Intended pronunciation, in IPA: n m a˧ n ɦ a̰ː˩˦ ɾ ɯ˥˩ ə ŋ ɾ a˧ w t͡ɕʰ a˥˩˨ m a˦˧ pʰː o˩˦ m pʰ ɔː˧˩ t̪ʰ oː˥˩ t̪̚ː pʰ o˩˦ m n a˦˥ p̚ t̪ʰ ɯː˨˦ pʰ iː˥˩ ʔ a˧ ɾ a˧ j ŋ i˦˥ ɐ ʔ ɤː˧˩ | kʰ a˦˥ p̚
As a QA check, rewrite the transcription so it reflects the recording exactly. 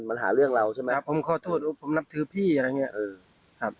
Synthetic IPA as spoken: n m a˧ n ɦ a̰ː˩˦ ɾ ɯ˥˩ ə ŋ ɾ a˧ w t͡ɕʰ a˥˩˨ m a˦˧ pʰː o˩˦ m kʰ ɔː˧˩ t̪ʰ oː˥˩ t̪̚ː pʰ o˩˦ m n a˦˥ p̚ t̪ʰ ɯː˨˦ pʰ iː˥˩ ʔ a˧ ɾ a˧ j ŋ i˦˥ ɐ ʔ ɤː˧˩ | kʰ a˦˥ p̚

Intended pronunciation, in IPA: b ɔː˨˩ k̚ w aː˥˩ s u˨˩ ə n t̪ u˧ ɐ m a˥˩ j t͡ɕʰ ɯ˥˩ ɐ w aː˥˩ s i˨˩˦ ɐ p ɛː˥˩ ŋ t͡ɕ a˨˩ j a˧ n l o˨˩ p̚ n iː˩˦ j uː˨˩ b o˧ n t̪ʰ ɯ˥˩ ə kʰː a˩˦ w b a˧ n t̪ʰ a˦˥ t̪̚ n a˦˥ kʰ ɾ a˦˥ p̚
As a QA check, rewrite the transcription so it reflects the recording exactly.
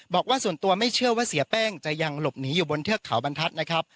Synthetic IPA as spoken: b ɔː˨˩ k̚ w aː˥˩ s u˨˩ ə n t̪ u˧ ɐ m a˥˩ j t͡ɕʰ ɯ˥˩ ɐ w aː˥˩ s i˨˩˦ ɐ p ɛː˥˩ ŋ t͡ɕ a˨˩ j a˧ ŋ l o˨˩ p̚ n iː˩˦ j uː˨˩ b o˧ n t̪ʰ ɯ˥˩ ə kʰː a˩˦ w b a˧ n t̪ʰ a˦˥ t̪̚ n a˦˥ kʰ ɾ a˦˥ p̚

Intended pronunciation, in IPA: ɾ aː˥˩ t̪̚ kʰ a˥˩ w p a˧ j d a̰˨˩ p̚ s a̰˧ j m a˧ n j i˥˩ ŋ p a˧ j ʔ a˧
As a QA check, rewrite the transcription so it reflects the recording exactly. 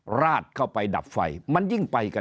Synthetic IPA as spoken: ɾ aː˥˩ t̪̚ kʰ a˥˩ w p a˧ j d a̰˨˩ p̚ f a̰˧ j m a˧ n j i˥˩ ŋ p a˧ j k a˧

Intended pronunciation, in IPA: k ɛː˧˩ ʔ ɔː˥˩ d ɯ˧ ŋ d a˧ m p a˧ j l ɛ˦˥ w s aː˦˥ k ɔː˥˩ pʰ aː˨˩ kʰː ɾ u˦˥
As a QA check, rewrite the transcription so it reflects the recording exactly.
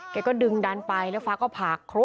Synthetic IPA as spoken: k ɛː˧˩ k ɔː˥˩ d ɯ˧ ŋ d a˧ n p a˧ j l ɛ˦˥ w f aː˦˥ k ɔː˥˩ pʰ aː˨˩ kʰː ɾ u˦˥

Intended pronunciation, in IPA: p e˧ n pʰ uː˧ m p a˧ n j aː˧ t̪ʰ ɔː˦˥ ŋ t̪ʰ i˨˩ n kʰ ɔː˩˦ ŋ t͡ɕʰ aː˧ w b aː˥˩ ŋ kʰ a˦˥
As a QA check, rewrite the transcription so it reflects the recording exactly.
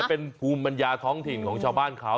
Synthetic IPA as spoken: p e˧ n pʰ uː˧ m p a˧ n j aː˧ t̪ʰ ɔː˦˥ ŋ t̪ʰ i˨˩ n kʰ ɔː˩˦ ŋ t͡ɕʰ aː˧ w b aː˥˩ n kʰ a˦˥

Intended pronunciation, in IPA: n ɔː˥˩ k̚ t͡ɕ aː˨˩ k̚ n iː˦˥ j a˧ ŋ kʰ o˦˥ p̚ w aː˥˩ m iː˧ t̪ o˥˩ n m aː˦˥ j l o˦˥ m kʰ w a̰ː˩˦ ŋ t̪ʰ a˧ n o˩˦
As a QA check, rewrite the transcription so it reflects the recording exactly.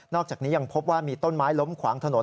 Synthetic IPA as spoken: n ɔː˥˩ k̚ t͡ɕ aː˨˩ k̚ n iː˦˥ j a˧ ŋ pʰ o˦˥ p̚ w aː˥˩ m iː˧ t̪ o˥˩ n m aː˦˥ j l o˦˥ m kʰ w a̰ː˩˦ ŋ t̪ʰ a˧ n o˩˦

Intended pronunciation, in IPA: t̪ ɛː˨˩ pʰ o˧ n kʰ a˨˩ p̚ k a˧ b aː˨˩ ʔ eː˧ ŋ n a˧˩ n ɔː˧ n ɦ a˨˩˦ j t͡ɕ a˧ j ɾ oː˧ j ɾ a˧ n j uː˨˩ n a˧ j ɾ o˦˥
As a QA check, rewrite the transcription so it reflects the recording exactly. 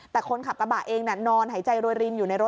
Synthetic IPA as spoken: t̪ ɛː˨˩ kʰ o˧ n kʰ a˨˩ p̚ k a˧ b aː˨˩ ʔ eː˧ ŋ n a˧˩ n ɔː˧ n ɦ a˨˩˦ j t͡ɕ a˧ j ɾ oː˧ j ɾ i˧ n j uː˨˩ n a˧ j ɾ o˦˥

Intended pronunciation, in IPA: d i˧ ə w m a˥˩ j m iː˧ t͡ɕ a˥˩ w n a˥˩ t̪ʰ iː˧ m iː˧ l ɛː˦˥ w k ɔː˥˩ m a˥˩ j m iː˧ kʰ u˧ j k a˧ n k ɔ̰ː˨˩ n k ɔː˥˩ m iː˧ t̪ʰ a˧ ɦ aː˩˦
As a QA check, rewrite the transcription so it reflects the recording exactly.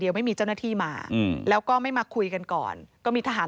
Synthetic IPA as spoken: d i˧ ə w m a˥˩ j m iː˧ t͡ɕ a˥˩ w n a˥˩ t̪ʰ iː˥˩ m aː˧ l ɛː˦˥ w k ɔː˥˩ m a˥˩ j m aː˧ kʰ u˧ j k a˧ n k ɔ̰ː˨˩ n k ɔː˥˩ m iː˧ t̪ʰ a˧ ɦ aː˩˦

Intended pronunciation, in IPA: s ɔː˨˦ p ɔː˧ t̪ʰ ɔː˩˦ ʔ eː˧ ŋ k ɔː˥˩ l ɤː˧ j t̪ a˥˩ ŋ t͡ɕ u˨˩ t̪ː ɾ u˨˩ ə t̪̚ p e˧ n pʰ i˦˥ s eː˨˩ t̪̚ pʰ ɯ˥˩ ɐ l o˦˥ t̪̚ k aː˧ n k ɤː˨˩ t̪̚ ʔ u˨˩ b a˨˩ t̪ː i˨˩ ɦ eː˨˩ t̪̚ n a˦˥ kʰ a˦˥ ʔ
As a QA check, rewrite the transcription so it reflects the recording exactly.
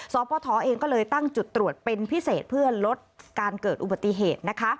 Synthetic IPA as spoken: s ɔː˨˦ p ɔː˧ t̪ʰ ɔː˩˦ ʔ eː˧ ŋ k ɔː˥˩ l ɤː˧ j t̪ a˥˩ ŋ t͡ɕ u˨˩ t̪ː ɾ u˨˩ ə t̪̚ p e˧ n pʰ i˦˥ s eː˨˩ t̪̚ pʰ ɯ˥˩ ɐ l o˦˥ t̪̚ k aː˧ n k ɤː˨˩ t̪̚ ʔ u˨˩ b a˨˩ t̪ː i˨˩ ɦ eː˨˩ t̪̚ n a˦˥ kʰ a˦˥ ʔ

